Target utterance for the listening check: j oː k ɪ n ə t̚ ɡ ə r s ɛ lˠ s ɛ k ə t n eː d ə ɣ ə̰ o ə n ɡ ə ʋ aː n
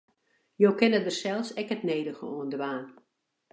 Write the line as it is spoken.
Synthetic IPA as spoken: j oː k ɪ n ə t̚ d ə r s ɛ lˠ s ɛ k ə t n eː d ə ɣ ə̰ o ə n d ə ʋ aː n

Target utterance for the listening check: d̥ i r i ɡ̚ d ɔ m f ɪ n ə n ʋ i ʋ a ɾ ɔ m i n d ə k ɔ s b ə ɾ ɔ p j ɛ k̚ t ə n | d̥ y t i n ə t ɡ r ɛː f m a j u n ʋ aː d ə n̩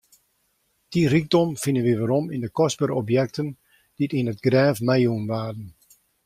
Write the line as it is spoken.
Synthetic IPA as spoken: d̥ i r i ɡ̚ d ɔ m f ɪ n ə n ʋ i ʋ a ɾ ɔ m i n d ə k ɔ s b ə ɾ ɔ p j ɛ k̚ t ə n | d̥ i t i n ə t ɡ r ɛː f m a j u n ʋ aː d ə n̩

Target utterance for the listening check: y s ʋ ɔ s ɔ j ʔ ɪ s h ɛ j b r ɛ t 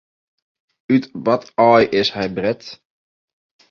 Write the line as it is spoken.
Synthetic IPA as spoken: y t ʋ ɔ t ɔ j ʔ ɪ s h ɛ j b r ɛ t

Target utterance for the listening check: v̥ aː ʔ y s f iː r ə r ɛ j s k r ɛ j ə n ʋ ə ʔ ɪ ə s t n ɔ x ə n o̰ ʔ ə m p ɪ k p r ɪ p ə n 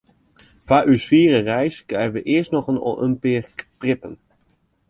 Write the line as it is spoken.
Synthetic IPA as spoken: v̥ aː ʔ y s f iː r ə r ɛ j s k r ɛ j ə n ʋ ə ʔ ɪ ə s t n ɔ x ə n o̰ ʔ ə m p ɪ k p r ɪ p ə n

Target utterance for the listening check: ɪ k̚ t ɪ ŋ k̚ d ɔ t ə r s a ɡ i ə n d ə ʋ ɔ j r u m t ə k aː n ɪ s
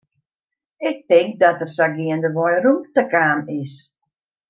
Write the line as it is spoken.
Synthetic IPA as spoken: ɪ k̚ t ɪ ŋ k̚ d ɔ t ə r s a ɡ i ə n d ə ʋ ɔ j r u m t ə k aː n ɪ s

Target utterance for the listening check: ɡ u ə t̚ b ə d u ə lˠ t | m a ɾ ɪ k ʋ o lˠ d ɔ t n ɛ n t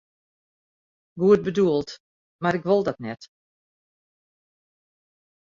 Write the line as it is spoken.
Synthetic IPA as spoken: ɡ u ə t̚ b ə d u ə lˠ t | m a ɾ ɪ k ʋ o lˠ d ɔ t n ɛ t

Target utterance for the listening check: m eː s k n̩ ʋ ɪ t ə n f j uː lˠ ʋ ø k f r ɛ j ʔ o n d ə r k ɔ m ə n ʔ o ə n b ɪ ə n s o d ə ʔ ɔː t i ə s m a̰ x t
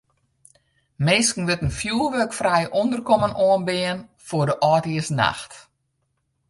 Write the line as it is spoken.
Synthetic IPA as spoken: m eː s k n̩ ʋ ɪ t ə n f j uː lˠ ʋ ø k f r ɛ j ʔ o n d ə r k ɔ m ə n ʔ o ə n b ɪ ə n f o d ə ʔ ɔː t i ə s n a̰ x t

